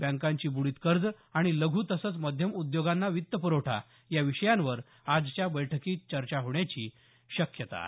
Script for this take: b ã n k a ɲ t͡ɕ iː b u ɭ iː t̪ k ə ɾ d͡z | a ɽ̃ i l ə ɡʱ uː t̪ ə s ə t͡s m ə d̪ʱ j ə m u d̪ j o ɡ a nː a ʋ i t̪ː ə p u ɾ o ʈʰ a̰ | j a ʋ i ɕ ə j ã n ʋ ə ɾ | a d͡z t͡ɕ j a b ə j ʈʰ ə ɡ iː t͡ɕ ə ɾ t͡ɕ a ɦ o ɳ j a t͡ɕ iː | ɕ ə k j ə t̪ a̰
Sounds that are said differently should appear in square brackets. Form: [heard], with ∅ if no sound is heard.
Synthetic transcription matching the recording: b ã [ŋ] k a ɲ t͡ɕ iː b u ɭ iː t̪ k ə ɾ d͡z | a ɽ̃ i l ə ɡʱ uː t̪ ə s ə t͡s m ə d̪ʱ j ə m u d̪ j o ɡ a nː a ʋ i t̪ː ə p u ɾ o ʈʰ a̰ | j a ʋ i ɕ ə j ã n ʋ ə ɾ | a d͡z t͡ɕ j a b ə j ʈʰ ə [k] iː t͡ɕ ə ɾ t͡ɕ a ɦ o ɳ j a t͡ɕ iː | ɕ ə k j ə t̪ a̰